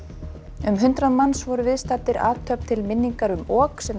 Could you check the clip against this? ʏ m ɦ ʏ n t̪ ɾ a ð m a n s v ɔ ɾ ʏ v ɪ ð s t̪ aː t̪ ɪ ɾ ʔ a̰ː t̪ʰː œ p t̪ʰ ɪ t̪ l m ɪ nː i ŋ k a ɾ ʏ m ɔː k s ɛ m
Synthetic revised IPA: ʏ m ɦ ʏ n t̪ ɾ a ð m a n s v ɔ ɾ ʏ v ɪ ð s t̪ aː t̪ ɪ ɾ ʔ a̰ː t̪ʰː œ p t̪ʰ ɪ l m ɪ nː i ŋ k a ɾ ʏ m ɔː k s ɛ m